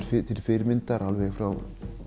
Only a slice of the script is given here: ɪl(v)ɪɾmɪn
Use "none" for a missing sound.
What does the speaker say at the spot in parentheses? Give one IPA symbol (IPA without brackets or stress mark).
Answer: f